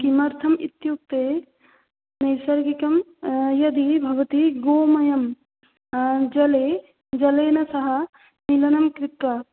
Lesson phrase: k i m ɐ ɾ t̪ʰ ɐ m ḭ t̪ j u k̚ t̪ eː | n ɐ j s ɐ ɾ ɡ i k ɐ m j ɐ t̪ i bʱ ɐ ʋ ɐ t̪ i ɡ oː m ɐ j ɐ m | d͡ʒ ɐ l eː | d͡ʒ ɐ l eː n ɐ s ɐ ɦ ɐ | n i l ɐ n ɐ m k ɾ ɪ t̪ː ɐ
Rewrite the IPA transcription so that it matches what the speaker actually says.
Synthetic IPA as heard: k i m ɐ ɾ t̪ʰ ɐ m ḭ t̪ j u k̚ t̪ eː | n ɐ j s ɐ ɾ ɡ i k ɐ m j ɐ d̪ i bʱ ɐ ʋ ɐ t̪ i ɡ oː m ɐ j ɐ m | d͡ʒ ɐ l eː | d͡ʒ ɐ l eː n ɐ s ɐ ɦ ɐ | n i l ɐ n ɐ m k ɾ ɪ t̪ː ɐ